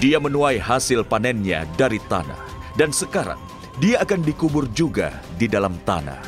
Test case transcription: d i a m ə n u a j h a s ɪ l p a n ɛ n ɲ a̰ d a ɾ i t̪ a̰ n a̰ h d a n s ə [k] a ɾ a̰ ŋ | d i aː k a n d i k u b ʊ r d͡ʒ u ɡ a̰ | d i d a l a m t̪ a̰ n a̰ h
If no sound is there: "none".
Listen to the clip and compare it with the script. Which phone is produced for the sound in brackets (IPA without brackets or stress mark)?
k